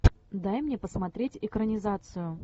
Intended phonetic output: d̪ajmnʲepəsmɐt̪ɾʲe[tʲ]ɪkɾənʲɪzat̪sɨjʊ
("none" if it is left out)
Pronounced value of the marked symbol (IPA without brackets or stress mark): tʲ